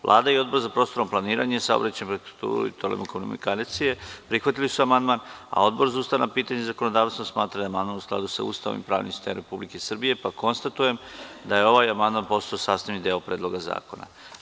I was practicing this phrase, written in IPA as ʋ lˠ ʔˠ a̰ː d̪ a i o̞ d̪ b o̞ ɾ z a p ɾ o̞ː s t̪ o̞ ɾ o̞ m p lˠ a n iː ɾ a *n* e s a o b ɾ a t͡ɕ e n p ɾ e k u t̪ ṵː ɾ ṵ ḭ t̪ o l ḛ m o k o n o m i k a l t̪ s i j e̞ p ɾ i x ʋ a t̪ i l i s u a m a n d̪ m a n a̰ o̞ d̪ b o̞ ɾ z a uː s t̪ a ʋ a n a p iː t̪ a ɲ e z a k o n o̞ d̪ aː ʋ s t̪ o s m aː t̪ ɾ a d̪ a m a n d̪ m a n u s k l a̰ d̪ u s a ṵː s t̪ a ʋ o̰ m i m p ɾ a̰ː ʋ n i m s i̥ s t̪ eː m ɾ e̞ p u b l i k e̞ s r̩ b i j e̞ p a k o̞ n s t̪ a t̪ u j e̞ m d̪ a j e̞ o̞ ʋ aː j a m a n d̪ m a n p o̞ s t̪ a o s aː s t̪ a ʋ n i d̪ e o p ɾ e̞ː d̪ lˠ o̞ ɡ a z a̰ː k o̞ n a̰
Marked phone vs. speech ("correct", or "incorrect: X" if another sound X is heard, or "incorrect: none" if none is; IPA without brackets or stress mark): incorrect: ɲ